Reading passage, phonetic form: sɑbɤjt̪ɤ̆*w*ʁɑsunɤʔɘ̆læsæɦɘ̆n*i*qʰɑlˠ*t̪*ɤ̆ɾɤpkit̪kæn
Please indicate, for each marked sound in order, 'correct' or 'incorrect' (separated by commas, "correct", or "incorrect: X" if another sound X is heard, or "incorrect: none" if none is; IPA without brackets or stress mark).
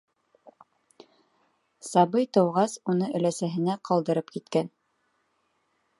correct, incorrect: æ, incorrect: d̪